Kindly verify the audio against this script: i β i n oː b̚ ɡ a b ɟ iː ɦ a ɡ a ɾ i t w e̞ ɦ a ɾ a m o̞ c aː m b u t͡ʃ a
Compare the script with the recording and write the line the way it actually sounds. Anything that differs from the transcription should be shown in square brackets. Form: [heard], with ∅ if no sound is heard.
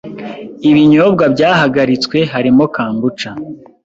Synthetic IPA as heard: i β i [ɲ] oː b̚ ɡ a b ɟ [aː] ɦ a ɡ a ɾ i [t͡s] w e̞ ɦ a ɾ [i] m o̞ [k] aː m b u t͡ʃ a